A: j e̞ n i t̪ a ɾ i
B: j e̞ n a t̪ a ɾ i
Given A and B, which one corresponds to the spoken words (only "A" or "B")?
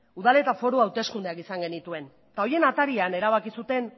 B